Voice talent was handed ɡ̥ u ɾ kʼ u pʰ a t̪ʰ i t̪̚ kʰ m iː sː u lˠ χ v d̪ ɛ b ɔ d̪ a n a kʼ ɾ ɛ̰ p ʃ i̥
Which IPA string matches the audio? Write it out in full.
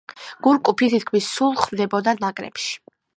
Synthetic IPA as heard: ɡ̥ u ɾ kʼ u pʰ i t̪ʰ i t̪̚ kʰ m i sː u lˠ χ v d̪ ɛ b ɔ d̪ a n a kʼ ɾ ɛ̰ p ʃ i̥

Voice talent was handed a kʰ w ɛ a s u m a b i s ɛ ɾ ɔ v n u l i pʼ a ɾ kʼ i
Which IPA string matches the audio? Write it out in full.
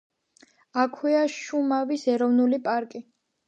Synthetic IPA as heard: a kʰ w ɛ a ʃ u m a v i s ɛ ɾ ɔ v n u l i pʼ a ɾ kʼ i

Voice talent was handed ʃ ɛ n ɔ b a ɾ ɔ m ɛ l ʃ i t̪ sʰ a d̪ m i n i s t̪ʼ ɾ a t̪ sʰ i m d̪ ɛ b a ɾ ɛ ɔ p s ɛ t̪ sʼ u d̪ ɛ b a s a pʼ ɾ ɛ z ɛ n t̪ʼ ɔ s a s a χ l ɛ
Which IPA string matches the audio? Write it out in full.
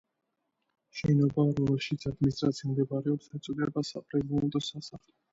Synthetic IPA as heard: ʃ ɛ n ɔ b a ɾ ɔ m ɛ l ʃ i t̪ sʰ a d̪ m i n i s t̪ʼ ɾ a t̪ sʰ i m d̪ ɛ b a ɾ ɛ ɔ p s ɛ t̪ sʼ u d̪ ɛ b a s a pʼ ɾ ɛ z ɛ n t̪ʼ ɔ s a s a χ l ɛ

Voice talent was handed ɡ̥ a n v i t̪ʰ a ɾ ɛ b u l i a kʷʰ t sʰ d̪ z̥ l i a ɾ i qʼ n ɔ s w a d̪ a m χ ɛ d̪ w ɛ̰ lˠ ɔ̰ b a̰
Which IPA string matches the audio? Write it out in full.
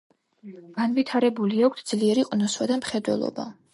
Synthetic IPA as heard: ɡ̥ a n v i t̪ʰ a ɾ ɛ b u l i a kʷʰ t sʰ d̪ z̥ l i ɛ ɾ i qʼ n ɔ s w a d̪ a m χ ɛ d̪ w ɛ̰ lˠ ɔ̰ b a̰

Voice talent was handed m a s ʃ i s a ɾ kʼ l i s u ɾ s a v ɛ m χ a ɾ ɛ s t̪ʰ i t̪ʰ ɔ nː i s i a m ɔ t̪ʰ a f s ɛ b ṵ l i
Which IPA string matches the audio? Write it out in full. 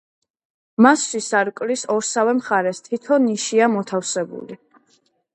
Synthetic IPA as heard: m a s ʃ i s a ɾ kʼ l i s ɔ ɾ s a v ɛ m χ a ɾ ɛ s t̪ʰ i t̪ʰ ɔ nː i ʃ i a m ɔ t̪ʰ a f s ɛ b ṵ l i

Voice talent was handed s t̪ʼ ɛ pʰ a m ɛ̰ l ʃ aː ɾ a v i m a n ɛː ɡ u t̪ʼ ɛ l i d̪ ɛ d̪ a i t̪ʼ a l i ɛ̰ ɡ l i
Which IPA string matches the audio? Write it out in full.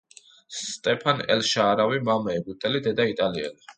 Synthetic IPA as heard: s t̪ʼ ɛ pʰ a n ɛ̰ l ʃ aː ɾ a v i m a m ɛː ɡ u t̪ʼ ɛ l i d̪ ɛ d̪ a i t̪ʼ a l i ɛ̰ l i

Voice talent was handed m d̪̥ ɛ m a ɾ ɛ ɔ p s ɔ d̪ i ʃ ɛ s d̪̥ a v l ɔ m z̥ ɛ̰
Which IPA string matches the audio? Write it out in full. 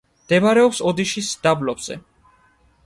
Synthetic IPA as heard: m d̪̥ ɛ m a ɾ ɛ ɔ p s ɔ d̪ i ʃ i s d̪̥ a b l ɔ b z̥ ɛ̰

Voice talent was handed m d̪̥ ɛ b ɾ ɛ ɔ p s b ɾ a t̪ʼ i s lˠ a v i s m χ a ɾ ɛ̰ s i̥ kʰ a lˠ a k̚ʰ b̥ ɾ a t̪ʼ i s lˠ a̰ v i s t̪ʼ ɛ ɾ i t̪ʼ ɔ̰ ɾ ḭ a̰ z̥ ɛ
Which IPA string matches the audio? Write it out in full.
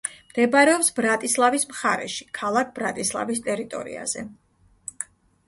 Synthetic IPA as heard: m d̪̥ ɛ b ɾ ɛ ɔ p s b ɾ a t̪ʼ i s lˠ a v i s m χ a ɾ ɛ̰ ʃ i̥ kʰ a lˠ a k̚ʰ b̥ ɾ a t̪ʼ i s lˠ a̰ v i s t̪ʼ ɛ ɾ i t̪ʼ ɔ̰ ɾ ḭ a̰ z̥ ɛ

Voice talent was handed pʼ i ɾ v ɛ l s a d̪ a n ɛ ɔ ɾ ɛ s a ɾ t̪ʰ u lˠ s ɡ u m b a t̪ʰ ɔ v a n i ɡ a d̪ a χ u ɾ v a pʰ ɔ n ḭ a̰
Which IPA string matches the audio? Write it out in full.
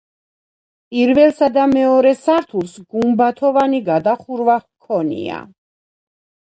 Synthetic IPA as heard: pʼ i ɾ v ɛ l s a d̪ a m ɛ ɔ ɾ ɛ s a ɾ t̪ʰ u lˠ s ɡ u m b a t̪ʰ ɔ v a n i ɡ a d̪ a χ u ɾ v a kʰ ɔ n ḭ a̰

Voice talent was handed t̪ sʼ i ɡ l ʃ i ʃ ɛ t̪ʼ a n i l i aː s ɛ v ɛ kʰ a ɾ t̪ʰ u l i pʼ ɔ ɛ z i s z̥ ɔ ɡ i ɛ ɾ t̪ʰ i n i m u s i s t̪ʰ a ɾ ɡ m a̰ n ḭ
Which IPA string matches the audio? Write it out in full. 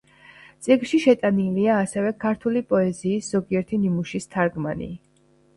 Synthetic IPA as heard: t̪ sʼ i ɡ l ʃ i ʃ ɛ t̪ʼ a n i l i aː s ɛ v ɛ kʰ a ɾ t̪ʰ u l i pʼ ɔ ɛ z iː s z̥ ɔ ɡ i ɛ ɾ t̪ʰ i n i m u ʃ i s t̪ʰ a ɾ ɡ m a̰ n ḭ

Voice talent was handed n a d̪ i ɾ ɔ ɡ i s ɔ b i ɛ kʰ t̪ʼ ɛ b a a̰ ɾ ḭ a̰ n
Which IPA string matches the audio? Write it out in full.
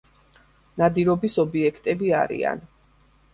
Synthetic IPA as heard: n a d̪ i ɾ ɔ b i s ɔ b i ɛ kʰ t̪ʼ ɛ b i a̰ ɾ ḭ a̰ n

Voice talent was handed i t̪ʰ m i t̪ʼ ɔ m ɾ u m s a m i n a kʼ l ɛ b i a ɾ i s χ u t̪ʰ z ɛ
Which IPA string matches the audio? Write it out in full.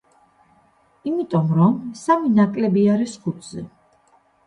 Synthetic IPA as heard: i m i t̪ʼ ɔ m ɾ ɔ m s a m i n a kʼ l ɛ b i a ɾ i s χ u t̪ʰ z ɛ

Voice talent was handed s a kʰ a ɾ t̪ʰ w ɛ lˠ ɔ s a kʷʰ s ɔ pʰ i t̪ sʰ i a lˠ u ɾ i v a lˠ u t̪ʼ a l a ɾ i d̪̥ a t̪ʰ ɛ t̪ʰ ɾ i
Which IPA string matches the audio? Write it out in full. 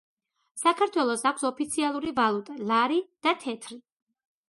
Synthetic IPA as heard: s a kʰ a ɾ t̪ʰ w ɛ lˠ ɔ s a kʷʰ s ɔ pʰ i t̪ sʰ i a lˠ u ɾ i v a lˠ u t̪ʼ a l a ɾ i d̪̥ a t̪ʰ ɛ t̪ʰ ɾ i

